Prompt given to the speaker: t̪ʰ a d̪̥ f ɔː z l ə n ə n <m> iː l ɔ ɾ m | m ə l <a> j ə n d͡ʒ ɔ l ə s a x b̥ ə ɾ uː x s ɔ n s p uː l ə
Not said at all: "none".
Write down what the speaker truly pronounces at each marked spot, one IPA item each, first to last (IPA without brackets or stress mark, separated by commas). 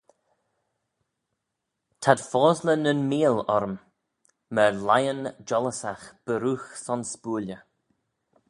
m, a